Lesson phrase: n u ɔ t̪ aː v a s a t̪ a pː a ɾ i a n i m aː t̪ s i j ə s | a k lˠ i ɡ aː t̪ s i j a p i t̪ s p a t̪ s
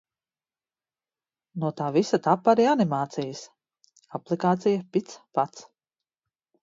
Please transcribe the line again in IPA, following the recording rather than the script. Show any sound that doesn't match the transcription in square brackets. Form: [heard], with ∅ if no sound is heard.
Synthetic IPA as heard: n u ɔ t̪ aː v [i] s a t̪ a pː a ɾ i a n i m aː t̪ s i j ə s | a [p] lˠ i [k] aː t̪ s i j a p i t̪ s p a t̪ s